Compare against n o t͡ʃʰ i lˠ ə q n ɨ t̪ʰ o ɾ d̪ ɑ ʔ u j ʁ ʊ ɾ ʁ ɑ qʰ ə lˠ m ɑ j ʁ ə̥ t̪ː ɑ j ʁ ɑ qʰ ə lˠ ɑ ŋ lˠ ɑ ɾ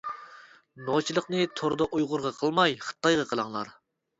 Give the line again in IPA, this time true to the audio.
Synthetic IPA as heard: n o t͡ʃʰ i lˠ ə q n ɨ t̪ʰ o ɾ d̪ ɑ ʔ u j ʁ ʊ ɾ ʁ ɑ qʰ ə lˠ m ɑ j χ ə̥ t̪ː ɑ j ʁ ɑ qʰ ə lˠ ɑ ŋ lˠ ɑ ɾ